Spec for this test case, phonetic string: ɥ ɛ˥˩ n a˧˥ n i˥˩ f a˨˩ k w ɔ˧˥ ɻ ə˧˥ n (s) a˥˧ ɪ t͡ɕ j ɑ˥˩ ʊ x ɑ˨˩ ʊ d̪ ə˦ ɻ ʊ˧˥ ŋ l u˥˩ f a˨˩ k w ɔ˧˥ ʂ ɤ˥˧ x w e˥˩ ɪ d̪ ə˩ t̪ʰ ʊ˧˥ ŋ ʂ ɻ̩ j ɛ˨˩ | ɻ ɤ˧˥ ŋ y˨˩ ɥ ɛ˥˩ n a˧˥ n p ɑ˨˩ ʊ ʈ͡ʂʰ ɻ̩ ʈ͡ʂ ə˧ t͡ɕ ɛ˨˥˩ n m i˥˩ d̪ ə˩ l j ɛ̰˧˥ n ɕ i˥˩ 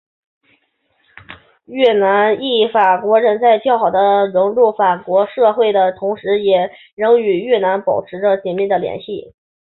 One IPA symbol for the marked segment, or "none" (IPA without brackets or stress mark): t͡s